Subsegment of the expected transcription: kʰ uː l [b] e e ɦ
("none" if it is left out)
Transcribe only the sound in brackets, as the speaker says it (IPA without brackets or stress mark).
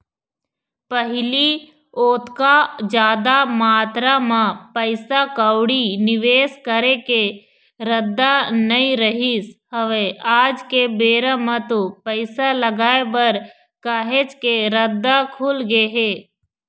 ɡ